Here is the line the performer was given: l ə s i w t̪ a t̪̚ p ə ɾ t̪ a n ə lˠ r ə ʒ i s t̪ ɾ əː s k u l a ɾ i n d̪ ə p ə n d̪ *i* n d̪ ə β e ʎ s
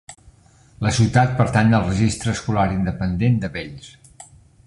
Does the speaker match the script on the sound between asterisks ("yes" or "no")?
no